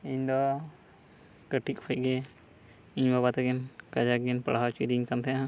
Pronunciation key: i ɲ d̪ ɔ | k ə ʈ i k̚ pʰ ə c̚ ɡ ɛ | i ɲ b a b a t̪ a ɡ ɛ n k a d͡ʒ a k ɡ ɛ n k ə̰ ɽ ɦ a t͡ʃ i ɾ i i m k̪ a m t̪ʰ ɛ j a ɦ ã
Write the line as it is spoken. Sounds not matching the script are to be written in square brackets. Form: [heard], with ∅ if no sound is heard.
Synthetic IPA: i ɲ d̪ ɔ | k ə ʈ i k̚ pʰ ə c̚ ɡ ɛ | i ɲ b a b a t̪ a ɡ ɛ n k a d͡ʒ a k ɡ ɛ n [p] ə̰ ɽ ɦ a t͡ʃ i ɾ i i [ɲ] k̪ a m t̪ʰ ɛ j a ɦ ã